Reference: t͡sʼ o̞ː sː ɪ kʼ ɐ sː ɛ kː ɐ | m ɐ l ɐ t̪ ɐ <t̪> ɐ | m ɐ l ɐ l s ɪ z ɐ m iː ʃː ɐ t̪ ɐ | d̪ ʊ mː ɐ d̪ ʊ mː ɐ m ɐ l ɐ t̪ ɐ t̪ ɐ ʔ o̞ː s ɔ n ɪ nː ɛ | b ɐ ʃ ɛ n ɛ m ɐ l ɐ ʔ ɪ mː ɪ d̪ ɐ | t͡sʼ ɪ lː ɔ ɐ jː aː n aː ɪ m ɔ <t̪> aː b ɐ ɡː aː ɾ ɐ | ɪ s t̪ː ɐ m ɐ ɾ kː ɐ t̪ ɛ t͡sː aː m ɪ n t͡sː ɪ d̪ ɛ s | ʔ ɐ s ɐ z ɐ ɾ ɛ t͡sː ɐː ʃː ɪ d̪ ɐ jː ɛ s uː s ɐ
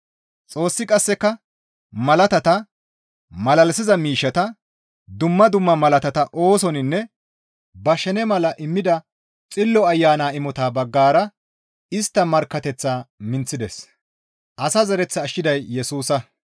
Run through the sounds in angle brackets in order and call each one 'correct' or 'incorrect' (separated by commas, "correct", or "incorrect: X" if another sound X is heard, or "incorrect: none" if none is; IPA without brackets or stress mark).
correct, correct